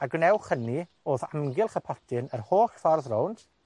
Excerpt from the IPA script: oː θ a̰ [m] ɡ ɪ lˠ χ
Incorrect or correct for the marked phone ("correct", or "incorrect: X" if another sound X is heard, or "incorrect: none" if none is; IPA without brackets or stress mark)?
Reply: correct